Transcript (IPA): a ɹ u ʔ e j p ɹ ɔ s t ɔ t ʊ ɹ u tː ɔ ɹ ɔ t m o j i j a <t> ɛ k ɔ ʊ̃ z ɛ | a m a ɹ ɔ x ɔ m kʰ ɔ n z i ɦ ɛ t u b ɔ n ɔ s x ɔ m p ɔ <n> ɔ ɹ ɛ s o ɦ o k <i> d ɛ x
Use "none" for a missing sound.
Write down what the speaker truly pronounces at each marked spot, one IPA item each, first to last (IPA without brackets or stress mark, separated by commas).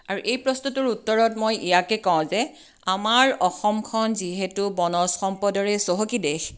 k, d, i